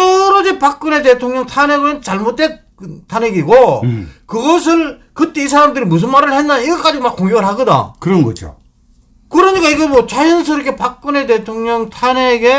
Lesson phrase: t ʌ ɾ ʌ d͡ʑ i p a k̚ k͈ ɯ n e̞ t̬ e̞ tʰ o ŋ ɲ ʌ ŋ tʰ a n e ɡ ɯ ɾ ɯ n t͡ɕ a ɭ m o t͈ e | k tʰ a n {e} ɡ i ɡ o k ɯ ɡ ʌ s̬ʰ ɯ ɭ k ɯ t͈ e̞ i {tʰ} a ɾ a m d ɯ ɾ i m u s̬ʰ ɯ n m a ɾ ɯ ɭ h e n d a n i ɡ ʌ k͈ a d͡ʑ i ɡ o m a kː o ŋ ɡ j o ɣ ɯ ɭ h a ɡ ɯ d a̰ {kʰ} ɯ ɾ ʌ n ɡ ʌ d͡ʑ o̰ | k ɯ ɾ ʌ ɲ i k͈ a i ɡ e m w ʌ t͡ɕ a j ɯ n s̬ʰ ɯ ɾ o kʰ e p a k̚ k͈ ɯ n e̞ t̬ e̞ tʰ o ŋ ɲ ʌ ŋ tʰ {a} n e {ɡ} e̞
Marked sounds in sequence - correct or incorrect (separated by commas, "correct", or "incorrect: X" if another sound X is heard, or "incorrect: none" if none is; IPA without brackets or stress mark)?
correct, incorrect: sʰ, incorrect: k, correct, correct